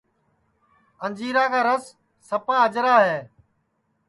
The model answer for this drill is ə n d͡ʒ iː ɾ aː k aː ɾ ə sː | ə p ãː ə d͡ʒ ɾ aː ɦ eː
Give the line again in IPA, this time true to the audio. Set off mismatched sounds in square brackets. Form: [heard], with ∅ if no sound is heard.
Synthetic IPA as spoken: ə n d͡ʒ iː ɾ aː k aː ɾ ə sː | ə p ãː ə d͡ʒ ɾ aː ɦ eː